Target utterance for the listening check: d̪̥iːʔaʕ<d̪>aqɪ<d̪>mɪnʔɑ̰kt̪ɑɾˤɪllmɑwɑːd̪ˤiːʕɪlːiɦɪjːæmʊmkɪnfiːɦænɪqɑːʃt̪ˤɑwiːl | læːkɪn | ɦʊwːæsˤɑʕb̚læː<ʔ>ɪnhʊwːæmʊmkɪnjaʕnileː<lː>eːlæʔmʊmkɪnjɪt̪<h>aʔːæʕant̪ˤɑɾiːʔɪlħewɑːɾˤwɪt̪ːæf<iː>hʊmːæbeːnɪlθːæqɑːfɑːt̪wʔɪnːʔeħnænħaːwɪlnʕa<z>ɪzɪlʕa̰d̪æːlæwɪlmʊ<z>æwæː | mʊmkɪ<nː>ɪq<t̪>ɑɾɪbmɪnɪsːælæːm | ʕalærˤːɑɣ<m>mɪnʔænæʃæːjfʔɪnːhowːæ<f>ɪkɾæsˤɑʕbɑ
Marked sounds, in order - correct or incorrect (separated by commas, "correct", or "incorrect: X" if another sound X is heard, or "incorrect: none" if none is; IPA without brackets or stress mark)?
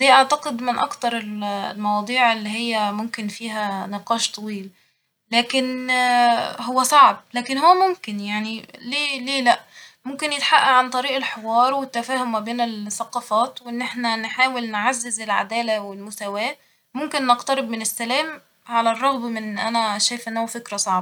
incorrect: t̪, correct, incorrect: k, incorrect: l, incorrect: ħ, incorrect: æː, incorrect: zː, incorrect: s, correct, correct, incorrect: b, correct